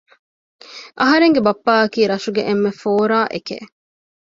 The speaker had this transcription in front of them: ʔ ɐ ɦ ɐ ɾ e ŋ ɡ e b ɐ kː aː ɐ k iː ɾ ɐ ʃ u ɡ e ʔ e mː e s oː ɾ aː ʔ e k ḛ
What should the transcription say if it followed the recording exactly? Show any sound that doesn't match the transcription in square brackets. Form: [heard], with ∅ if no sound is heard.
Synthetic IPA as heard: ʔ ɐ ɦ ɐ ɾ e ŋ ɡ e b ɐ [pː] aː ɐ k iː ɾ ɐ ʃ u ɡ e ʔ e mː e [f] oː ɾ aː ʔ e k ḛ